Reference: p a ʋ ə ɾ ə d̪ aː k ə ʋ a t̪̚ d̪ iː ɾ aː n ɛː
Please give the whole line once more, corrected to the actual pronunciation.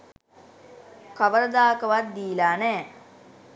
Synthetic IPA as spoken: k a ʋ ə ɾ ə d̪ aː k ə ʋ a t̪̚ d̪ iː l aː n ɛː